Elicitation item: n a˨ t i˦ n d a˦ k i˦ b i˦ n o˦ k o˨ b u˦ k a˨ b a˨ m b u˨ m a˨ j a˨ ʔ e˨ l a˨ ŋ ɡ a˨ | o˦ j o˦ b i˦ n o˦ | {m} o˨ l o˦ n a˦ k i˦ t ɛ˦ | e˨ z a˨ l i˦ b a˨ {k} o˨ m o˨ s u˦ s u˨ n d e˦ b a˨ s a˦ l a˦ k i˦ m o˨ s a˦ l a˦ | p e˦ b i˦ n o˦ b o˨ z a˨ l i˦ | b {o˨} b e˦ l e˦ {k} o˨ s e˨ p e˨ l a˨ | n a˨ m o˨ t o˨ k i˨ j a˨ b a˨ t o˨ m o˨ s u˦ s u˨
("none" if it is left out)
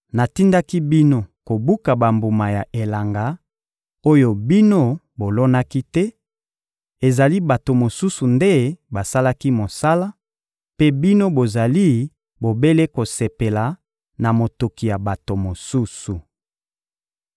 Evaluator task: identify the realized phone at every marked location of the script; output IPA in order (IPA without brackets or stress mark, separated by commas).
b, t, o˨, k